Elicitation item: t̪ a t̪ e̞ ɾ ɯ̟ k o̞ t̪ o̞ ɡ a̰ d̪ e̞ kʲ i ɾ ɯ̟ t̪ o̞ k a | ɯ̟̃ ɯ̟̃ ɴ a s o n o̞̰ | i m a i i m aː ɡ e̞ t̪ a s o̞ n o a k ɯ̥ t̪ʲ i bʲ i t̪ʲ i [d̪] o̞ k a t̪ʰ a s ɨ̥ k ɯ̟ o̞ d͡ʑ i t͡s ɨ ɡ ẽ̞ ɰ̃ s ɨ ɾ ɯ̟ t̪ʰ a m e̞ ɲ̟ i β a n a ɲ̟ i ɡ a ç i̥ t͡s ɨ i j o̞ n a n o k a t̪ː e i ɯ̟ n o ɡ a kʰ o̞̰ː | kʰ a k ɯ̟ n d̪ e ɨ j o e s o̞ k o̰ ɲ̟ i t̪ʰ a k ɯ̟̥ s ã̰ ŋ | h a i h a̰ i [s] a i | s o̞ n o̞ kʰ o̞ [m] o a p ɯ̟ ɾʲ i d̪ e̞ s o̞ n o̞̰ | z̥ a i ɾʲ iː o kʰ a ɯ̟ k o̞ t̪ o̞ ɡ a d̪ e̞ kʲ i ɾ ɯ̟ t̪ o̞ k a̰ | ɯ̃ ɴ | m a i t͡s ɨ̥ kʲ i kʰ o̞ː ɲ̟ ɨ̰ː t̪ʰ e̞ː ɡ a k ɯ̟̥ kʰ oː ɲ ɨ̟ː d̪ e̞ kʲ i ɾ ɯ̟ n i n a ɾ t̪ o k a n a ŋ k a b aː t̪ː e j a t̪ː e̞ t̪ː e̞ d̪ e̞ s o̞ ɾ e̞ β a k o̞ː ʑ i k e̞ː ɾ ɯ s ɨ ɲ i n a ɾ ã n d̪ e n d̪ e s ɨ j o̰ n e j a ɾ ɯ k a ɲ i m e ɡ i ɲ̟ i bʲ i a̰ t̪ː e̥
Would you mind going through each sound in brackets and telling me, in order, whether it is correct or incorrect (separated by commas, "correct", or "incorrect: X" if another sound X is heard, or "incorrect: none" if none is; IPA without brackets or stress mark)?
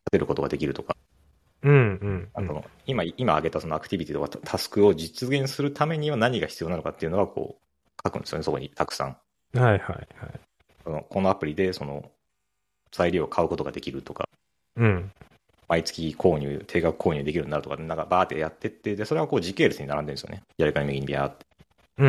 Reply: incorrect: t̪, incorrect: h, incorrect: n